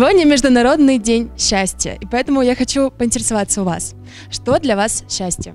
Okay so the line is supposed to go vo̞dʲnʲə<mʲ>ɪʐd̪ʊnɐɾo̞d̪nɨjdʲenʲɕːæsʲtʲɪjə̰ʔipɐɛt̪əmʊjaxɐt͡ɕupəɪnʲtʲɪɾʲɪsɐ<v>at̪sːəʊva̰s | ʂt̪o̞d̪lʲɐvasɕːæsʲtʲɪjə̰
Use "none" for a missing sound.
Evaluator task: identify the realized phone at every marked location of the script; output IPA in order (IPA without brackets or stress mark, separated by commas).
mʲ, v